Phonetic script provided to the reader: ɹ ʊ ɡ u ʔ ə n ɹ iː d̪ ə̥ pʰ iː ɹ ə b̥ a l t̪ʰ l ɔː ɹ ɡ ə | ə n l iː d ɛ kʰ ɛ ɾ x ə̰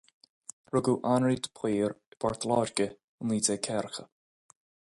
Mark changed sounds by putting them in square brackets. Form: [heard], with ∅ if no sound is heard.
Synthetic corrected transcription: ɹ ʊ ɡ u ʔ [a] n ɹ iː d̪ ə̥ pʰ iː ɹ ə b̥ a [ɹ] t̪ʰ l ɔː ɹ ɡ ə | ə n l iː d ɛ kʰ ɛ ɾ x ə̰